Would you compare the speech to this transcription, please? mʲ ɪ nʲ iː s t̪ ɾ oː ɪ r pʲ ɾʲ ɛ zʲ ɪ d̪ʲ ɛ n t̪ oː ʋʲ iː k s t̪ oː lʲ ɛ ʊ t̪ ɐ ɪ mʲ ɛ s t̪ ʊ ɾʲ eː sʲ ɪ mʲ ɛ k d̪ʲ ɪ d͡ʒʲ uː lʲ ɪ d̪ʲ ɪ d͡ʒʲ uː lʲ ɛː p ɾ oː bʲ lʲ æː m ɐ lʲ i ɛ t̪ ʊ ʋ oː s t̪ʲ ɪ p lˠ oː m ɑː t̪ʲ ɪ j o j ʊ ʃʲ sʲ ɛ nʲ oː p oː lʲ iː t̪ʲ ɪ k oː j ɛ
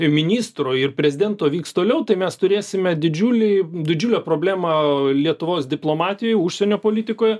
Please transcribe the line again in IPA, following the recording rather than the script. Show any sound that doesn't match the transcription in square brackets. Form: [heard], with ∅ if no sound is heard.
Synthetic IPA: mʲ ɪ nʲ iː s t̪ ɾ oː ɪ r pʲ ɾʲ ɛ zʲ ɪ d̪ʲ ɛ n t̪ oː ʋʲ iː k s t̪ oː lʲ ɛ ʊ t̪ ɐ ɪ mʲ ɛ s t̪ ʊ ɾʲ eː sʲ ɪ mʲ ɛ [∅] d̪ʲ ɪ d͡ʒʲ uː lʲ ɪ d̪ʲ ɪ d͡ʒʲ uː lʲ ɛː p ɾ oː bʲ lʲ æː m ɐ lʲ i ɛ t̪ ʊ ʋ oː s [d̪ʲ] ɪ p lˠ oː m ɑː t̪ʲ ɪ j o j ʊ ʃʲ sʲ ɛ nʲ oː p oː lʲ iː t̪ʲ ɪ k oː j ɛ